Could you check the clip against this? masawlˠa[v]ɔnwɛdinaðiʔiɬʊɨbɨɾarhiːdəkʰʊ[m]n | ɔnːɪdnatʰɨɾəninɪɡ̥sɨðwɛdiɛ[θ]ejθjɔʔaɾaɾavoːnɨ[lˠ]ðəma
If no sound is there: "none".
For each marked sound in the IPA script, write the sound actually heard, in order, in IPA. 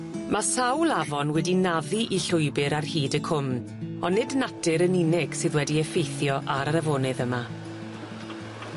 v, m, f, none

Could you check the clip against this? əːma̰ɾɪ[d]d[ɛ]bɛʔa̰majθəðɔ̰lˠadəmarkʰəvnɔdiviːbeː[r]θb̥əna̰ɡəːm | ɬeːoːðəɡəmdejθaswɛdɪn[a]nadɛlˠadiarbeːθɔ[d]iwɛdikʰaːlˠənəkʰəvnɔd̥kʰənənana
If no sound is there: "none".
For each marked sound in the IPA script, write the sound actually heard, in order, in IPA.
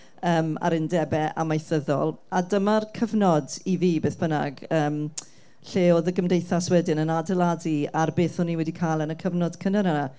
n, ɛ, none, ə, n

